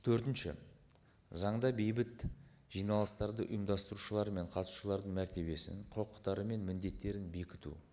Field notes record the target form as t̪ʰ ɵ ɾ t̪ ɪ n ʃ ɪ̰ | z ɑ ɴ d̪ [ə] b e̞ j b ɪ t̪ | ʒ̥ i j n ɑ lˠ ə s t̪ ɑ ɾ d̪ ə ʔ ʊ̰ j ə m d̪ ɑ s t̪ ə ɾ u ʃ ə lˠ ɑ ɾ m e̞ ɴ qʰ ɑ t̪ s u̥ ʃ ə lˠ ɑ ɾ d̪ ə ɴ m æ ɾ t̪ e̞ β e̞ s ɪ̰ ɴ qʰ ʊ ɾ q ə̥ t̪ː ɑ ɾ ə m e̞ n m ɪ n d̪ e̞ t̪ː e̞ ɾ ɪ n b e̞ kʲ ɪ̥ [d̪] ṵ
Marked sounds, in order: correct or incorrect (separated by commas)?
incorrect, incorrect